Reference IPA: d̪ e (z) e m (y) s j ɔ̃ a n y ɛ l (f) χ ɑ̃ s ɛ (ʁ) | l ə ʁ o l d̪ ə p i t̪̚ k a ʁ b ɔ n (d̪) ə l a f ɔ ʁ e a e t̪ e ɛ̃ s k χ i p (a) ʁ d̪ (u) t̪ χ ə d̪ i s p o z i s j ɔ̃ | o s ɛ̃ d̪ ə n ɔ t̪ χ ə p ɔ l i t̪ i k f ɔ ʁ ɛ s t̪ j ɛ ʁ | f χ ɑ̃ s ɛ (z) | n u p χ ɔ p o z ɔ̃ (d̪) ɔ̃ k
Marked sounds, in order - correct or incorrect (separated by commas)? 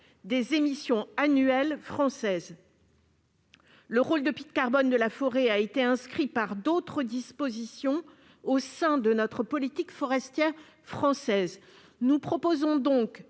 correct, incorrect, correct, incorrect, correct, correct, incorrect, correct, correct